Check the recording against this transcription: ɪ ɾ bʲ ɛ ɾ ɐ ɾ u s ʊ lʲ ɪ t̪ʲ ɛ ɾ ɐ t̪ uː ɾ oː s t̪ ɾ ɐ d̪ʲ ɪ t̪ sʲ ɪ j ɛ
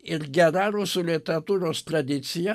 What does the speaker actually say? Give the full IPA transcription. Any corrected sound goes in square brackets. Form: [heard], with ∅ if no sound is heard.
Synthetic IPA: ɪ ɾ [ɡʲ] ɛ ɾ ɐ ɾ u s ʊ lʲ ɪ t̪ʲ ɛ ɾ ɐ t̪ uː ɾ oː s t̪ ɾ ɐ d̪ʲ ɪ t̪ sʲ ɪ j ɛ